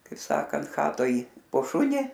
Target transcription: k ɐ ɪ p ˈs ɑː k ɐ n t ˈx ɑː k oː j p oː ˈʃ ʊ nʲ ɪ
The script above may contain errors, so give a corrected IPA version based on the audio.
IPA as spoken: k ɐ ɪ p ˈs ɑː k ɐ n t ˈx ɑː t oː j p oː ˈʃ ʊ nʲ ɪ

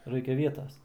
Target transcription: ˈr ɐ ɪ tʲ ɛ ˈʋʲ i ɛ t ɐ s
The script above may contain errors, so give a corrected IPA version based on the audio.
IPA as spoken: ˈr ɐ ɪ kʲ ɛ ˈʋʲ i ɛ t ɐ s

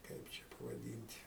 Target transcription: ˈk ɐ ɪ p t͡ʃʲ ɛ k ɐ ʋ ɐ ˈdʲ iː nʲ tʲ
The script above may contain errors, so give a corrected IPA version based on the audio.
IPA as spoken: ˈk ɐ ɪ p t͡ʃʲ ɛ p ɐ ʋ ɐ ˈdʲ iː nʲ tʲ

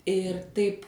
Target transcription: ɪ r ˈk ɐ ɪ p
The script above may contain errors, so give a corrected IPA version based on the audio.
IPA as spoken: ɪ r ˈt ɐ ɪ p

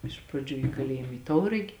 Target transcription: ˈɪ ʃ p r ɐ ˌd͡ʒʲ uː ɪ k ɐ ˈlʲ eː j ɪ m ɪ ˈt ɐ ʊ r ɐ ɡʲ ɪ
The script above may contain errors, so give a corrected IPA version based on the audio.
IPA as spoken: ˈɪ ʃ p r ɐ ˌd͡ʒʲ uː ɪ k ɐ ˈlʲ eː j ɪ m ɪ ˈt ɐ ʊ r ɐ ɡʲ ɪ

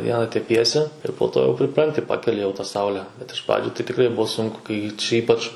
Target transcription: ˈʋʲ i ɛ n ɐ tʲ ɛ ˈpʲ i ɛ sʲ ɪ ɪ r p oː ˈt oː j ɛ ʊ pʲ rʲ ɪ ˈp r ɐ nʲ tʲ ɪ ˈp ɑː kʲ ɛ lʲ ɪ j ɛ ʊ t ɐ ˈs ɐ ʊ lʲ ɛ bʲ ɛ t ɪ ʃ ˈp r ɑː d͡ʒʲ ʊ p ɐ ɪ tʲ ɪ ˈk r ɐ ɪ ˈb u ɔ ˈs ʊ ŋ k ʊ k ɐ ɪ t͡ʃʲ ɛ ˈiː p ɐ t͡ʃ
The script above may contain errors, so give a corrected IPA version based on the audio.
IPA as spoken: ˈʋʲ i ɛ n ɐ tʲ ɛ ˈpʲ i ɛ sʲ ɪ ɪ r p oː ˈt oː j ɛ ʊ pʲ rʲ ɪ ˈp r ɐ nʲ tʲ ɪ ˈp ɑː kʲ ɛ lʲ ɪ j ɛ ʊ t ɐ ˈs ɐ ʊ lʲ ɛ bʲ ɛ t ɪ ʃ ˈp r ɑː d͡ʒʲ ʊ t ɐ ɪ tʲ ɪ ˈk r ɐ ɪ ˈb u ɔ ˈs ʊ ŋ k ʊ k ɐ ɪ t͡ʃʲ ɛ ˈiː p ɐ t͡ʃ

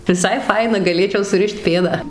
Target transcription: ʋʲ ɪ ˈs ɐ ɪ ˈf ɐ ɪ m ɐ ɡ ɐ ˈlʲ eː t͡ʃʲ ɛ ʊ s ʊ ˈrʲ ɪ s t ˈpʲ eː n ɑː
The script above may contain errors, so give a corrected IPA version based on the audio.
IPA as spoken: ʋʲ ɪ ˈs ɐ ɪ ˈf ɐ ɪ n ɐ ɡ ɐ ˈlʲ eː t͡ʃʲ ɛ ʊ s ʊ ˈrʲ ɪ ʃ t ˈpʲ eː d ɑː

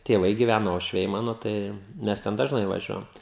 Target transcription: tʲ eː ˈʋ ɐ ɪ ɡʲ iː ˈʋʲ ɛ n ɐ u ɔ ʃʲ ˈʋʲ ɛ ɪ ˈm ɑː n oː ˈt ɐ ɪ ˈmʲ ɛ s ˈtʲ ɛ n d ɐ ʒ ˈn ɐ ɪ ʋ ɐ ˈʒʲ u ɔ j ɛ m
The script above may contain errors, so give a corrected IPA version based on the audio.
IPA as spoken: tʲ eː ˈʋ ɐ ɪ ɡʲ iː ˈʋʲ æ n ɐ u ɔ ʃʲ ˈʋʲ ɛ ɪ ˈm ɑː n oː ˈt ɐ ɪ ˈmʲ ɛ s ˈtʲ ɛ n d ɐ ʒ ˈn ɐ ɪ ʋ ɐ ˈʒʲ u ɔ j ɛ m

